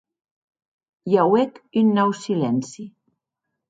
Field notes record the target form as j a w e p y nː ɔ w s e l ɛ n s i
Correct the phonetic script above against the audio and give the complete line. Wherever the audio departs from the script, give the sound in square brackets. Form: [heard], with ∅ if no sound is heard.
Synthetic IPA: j a w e [k] y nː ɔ w s [i] l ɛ n s i